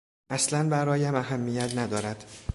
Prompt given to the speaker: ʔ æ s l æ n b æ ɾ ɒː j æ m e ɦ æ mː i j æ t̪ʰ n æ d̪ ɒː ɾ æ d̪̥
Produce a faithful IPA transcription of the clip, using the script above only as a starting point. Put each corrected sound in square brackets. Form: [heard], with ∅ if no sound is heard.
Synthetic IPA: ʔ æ s l æ n b æ ɾ ɒː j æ m [æ] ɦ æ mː i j æ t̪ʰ n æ d̪ ɒː ɾ æ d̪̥